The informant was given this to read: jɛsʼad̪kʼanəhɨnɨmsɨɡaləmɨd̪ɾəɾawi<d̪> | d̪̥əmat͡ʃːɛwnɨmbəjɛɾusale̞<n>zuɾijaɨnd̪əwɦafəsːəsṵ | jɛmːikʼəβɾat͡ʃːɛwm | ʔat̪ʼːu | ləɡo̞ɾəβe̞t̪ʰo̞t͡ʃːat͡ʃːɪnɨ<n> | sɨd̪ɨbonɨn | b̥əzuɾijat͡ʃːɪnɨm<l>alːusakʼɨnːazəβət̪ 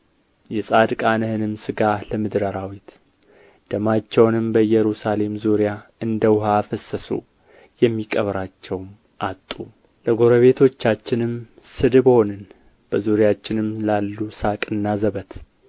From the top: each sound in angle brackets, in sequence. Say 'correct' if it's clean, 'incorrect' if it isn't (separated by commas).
incorrect, incorrect, incorrect, correct